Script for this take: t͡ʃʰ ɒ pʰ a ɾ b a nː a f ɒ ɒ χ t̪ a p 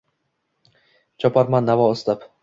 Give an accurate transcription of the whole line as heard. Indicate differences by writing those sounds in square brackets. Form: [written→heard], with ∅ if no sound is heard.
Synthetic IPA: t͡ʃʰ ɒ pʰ a ɾ [b→m] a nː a [f→v] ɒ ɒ [χ→s] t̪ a p